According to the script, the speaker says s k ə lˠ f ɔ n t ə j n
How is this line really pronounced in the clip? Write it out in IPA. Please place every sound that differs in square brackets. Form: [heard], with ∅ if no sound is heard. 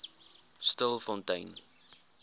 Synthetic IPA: s [t] ə lˠ f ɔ n t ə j n